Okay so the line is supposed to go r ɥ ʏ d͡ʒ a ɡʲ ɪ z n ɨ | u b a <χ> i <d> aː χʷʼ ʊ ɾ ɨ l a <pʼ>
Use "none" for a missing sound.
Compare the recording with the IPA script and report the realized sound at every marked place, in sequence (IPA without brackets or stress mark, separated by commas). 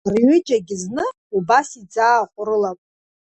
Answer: s, d͡z, pʼ